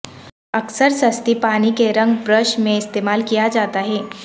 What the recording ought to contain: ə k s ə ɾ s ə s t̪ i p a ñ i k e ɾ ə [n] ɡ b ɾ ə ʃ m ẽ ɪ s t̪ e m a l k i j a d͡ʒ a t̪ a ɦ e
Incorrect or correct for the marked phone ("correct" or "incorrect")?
incorrect